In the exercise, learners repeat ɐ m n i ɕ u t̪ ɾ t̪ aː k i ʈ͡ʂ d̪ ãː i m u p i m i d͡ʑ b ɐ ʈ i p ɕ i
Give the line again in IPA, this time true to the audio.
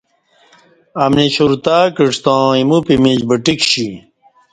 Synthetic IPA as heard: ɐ m n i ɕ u ɾ t̪ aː k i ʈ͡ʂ t̪ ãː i m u p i m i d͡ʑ b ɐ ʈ i k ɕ i